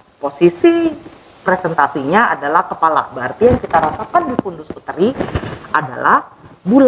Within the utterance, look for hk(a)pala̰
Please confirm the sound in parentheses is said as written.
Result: no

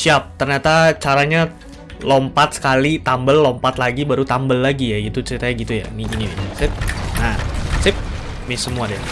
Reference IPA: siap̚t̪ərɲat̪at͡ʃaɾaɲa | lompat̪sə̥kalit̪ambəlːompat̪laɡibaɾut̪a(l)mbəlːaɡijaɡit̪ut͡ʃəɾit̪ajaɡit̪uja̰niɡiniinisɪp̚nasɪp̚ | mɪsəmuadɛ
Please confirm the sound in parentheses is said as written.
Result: no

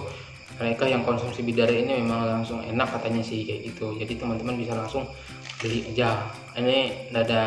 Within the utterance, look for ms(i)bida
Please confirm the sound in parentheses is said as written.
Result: yes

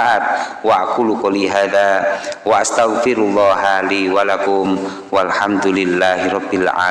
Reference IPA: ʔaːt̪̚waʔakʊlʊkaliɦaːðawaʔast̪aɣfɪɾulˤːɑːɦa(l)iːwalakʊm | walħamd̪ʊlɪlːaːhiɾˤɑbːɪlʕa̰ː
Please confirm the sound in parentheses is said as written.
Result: yes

